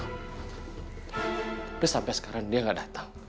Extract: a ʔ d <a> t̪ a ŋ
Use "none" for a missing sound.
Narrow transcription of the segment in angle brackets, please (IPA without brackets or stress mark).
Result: a